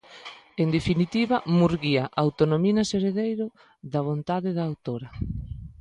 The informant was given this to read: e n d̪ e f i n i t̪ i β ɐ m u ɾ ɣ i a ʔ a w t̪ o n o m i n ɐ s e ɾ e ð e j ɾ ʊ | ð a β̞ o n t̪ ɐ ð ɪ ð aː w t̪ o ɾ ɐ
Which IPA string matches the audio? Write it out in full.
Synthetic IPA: e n d̪ e f i n i t̪ i β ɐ m u ɾ ɣ i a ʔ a w t̪ o n o m i n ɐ s e ɾ e ð e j ɾ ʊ | ð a β̞ o n t̪ a ð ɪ ð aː w t̪ o ɾ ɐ